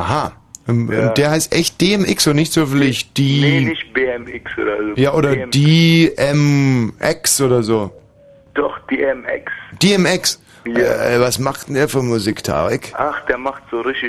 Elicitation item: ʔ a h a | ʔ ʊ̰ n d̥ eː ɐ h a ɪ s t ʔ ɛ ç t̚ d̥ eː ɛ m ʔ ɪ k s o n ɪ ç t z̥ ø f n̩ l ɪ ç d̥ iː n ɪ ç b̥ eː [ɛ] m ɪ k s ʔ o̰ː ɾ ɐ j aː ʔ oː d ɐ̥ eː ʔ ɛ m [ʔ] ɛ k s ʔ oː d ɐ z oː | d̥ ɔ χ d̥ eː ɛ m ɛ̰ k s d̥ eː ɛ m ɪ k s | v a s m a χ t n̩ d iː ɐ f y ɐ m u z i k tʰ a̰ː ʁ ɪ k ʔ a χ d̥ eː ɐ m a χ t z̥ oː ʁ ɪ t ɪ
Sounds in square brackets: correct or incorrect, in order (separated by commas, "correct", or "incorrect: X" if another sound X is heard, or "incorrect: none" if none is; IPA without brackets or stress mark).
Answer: correct, correct